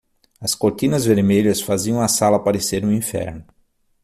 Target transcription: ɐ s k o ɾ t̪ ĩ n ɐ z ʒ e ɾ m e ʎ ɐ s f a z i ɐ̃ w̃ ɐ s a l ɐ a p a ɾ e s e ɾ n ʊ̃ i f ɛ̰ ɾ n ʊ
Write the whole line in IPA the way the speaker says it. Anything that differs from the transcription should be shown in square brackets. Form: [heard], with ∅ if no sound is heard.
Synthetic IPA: ɐ s k o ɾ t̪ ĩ n ɐ z [v] e ɾ m e ʎ ɐ s f a z i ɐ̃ w̃ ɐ s a l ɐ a p a ɾ e s e ɾ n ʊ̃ [ĩ] f ɛ̰ ɾ n ʊ